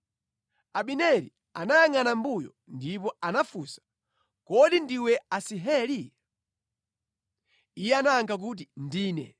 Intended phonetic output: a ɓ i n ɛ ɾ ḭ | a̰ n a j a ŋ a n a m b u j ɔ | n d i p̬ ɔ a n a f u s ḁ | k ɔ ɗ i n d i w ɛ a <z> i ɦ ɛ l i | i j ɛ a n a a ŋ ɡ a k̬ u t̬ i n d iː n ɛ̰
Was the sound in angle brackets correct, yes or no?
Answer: no